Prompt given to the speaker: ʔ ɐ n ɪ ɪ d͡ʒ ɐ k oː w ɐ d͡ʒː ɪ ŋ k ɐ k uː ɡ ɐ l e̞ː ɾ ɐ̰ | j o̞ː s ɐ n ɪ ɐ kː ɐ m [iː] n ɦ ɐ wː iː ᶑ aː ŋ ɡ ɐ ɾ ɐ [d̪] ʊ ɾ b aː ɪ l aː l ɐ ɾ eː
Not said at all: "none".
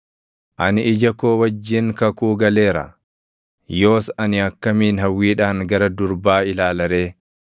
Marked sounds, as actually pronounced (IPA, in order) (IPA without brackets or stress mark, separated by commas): iː, d̪